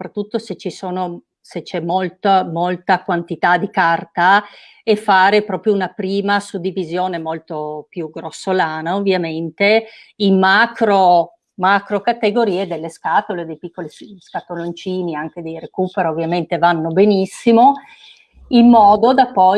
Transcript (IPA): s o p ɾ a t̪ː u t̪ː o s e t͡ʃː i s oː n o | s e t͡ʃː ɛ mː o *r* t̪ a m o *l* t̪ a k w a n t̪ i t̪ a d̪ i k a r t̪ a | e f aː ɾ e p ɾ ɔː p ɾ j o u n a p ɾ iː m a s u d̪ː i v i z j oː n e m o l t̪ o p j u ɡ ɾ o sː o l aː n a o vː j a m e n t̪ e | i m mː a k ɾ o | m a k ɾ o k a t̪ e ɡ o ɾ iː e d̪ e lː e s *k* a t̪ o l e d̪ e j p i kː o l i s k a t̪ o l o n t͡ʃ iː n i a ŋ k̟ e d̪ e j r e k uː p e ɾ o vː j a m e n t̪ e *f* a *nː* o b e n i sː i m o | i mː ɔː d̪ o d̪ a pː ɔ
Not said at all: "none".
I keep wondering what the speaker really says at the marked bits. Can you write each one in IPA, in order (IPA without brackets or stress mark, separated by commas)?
l, l, k, v, nː